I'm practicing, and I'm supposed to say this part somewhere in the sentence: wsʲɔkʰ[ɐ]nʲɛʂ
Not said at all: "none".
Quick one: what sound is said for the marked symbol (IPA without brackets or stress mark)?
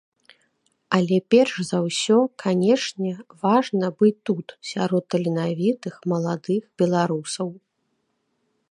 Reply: a